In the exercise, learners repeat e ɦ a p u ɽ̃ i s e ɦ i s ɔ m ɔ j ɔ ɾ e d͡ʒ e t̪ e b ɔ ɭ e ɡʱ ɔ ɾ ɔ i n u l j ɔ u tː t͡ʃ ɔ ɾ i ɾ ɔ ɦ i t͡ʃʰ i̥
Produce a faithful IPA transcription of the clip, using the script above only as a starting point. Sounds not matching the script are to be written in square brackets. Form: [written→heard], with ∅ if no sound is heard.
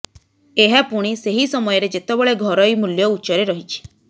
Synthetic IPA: e ɦ a p u ɽ̃ i s e ɦ i s ɔ m ɔ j ɔ ɾ e d͡ʒ e t̪ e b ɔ ɭ e ɡʱ ɔ ɾ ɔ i [n→m] u l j ɔ u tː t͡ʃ ɔ ɾ [i→e] ɾ ɔ ɦ i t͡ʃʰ i̥